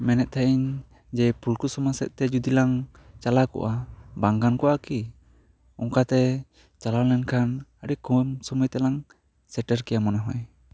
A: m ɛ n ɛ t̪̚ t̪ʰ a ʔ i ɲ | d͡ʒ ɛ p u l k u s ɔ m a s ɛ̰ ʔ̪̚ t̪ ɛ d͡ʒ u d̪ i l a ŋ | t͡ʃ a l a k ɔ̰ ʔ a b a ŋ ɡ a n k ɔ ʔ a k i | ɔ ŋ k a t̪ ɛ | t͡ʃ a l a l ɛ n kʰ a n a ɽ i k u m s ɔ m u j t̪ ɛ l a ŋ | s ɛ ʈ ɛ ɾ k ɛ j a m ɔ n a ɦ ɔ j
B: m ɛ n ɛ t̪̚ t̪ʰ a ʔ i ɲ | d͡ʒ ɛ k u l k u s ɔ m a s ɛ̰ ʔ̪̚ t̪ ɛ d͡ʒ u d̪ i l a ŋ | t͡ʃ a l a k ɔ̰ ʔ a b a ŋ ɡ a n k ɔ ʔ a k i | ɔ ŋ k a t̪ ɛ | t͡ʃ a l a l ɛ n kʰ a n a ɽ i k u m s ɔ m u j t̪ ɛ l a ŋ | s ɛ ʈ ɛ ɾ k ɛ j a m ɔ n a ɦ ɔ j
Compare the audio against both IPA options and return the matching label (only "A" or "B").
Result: A